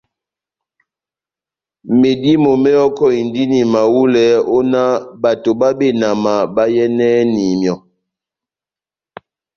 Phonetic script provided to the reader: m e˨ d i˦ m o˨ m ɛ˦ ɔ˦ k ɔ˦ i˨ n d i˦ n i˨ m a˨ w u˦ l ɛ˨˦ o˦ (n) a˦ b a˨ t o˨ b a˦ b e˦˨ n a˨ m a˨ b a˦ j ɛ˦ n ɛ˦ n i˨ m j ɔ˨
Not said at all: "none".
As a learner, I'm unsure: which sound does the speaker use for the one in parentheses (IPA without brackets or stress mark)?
n